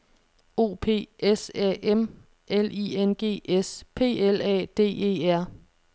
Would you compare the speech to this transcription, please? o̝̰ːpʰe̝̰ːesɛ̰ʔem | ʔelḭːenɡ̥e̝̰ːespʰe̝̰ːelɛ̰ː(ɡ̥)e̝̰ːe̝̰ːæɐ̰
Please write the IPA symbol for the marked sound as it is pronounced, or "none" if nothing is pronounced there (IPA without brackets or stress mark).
d̥